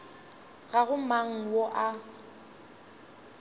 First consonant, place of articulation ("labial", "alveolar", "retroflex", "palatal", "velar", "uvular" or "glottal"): velar